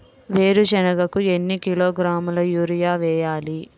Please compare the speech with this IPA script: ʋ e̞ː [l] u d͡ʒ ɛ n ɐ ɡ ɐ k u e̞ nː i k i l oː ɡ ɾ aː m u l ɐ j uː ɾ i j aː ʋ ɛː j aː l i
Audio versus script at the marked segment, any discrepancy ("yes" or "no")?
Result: yes